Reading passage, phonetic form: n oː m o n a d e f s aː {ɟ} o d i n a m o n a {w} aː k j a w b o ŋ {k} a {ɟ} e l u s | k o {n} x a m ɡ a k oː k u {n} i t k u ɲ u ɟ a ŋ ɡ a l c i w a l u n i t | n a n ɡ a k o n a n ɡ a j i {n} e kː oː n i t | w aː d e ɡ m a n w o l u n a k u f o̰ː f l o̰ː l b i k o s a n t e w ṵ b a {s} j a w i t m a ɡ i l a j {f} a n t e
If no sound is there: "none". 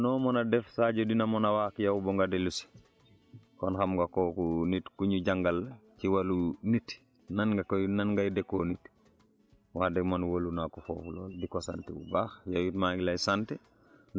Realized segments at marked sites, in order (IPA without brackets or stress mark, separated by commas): ɟ, w, ɡ, d, n, n, d, x, s